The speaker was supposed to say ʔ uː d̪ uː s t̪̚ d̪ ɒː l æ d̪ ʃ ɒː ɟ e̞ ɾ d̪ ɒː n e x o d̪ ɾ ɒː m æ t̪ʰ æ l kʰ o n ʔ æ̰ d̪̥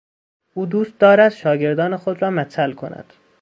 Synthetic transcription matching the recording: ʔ uː d̪ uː s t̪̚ d̪ ɒː ɾ æ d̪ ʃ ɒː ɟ e̞ ɾ d̪ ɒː n e x o d̪ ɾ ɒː m æ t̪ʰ æ l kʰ o n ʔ æ̰ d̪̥

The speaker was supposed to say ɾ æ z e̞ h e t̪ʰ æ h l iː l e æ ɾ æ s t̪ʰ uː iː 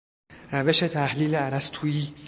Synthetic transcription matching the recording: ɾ æ v e̞ ʃ e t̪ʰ æ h l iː l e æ ɾ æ s t̪ʰ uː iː

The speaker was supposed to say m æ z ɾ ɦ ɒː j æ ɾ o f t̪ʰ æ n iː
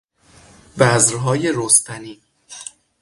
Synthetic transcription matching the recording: b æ z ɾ ɦ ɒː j e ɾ o s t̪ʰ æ n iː

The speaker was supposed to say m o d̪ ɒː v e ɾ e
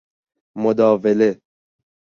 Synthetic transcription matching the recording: m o d̪ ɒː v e l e

